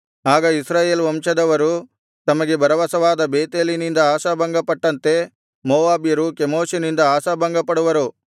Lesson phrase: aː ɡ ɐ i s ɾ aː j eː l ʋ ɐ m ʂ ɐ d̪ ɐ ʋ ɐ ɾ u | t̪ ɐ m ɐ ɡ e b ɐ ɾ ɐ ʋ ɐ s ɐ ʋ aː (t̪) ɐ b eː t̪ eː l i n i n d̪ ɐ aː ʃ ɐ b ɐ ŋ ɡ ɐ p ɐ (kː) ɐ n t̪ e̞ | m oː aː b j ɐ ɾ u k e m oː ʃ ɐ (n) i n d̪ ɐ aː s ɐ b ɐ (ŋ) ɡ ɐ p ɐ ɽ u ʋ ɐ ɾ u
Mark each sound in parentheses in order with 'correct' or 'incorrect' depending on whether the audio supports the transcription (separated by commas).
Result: incorrect, incorrect, correct, correct